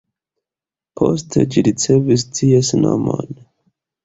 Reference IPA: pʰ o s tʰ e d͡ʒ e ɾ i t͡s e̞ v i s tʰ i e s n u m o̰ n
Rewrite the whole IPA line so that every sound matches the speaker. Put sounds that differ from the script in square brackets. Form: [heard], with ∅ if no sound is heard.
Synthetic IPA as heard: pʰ o s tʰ e d͡ʒ [i] ɾ i t͡s e̞ v i s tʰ i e s n [o] m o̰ n